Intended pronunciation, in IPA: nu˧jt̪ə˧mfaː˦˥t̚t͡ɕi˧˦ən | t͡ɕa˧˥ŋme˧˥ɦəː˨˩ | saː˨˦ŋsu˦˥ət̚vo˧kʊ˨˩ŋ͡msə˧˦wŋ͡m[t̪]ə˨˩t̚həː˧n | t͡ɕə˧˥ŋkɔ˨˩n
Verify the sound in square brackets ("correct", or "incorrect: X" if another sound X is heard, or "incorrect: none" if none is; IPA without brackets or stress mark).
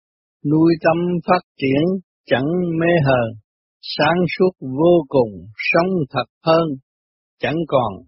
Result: incorrect: t̪ʰ